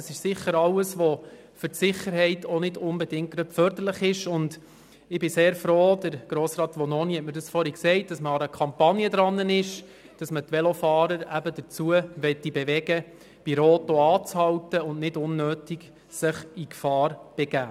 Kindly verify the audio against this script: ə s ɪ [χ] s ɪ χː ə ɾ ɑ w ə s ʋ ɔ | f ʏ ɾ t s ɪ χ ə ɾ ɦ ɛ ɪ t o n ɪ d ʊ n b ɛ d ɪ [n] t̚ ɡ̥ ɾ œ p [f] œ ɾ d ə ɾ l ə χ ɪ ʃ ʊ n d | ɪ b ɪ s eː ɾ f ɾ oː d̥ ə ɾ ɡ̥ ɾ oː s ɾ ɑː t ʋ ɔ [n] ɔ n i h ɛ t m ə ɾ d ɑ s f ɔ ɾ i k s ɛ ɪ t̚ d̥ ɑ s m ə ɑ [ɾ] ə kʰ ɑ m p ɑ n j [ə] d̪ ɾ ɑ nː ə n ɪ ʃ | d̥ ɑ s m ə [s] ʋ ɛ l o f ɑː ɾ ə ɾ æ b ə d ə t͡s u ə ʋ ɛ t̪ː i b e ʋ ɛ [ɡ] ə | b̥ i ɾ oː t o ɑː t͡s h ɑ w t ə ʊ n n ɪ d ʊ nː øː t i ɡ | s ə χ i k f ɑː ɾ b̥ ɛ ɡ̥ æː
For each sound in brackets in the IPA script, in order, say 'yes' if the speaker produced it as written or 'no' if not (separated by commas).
no, no, yes, yes, yes, yes, no, yes